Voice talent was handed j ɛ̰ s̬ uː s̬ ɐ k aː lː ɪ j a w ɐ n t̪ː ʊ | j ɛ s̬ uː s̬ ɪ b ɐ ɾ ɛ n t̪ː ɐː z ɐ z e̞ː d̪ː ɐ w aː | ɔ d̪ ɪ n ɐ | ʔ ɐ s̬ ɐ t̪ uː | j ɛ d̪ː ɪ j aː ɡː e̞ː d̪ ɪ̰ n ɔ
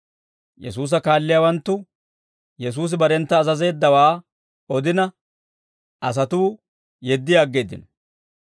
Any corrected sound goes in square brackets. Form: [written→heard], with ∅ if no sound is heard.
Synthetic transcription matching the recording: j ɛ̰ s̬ uː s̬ ɐ k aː lː ɪ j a w ɐ n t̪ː ʊ | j ɛ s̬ uː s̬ ɪ b ɐ ɾ ɛ n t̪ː ɐː z ɐ z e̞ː d̪ː ɐ w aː | ɔ d̪ ɪ n ɐ | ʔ ɐ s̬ ɐ t̪ uː | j ɛ d̪ː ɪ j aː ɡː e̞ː d̪ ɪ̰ n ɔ

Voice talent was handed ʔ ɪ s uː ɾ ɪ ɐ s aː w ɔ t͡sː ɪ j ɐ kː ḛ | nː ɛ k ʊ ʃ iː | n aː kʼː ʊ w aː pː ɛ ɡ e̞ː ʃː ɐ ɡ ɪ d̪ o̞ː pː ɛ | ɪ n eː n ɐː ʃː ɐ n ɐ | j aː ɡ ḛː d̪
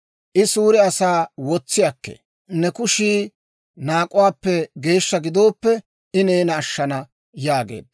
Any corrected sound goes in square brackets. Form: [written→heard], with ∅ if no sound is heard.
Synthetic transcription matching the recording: ʔ ɪ s uː ɾ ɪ ɐ s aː w ɔ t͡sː ɪ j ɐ kː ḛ | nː ɛ k ʊ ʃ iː | n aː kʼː ʊ w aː pː ɛ ɡ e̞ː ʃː ɐ ɡ ɪ d̪ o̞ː pː ɛ | ɪ n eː n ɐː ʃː ɐ n ɐ | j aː ɡ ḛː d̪

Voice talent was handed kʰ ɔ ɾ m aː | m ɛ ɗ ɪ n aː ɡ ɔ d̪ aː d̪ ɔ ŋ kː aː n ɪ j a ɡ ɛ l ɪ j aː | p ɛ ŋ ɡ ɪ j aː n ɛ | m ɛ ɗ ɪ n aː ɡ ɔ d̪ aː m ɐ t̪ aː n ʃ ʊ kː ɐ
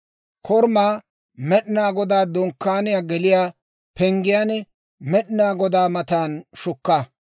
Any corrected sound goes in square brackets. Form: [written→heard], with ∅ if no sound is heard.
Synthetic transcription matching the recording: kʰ ɔ ɾ m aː | m ɛ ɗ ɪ n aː ɡ ɔ d̪ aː d̪ ɔ ŋ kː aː n ɪ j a ɡ ɛ l ɪ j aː | p ɛ ŋ ɡ ɪ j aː n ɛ | m ɛ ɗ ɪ n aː ɡ ɔ d̪ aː m ɐ t̪ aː n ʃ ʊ kː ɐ

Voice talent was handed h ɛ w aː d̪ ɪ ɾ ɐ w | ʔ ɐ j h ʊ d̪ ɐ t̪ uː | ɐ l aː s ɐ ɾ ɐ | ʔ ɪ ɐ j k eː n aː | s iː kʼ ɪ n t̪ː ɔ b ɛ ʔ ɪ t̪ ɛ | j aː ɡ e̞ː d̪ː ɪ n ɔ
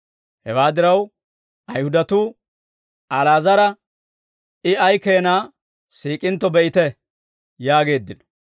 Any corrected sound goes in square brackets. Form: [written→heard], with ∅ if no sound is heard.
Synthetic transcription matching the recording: h ɛ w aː d̪ ɪ ɾ ɐ w | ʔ ɐ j h ʊ d̪ ɐ t̪ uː | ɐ l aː [s→z] ɐ ɾ ɐ | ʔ ɪ ɐ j k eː n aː | s iː kʼ ɪ n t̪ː ɔ b ɛ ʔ ɪ t̪ ɛ | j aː ɡ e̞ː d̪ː ɪ n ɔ

